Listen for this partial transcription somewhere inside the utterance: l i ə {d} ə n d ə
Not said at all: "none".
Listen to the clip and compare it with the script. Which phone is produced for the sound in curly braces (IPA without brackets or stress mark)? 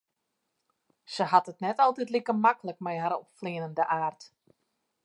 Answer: n